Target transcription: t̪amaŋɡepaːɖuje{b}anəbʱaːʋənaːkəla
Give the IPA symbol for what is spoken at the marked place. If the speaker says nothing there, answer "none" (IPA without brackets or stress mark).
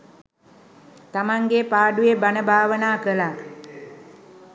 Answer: b